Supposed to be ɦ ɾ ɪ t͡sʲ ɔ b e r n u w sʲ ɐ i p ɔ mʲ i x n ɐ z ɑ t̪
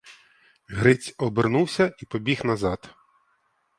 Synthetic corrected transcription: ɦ ɾ ɪ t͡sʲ ɔ b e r n u w sʲ ɐ i p ɔ bʲ i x n ɐ z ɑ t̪